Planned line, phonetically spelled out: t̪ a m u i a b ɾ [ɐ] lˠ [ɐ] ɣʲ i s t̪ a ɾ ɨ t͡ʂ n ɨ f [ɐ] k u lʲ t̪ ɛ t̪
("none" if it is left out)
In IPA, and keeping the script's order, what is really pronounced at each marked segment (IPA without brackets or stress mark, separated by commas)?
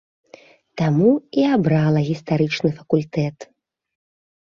a, ɐ, ɐ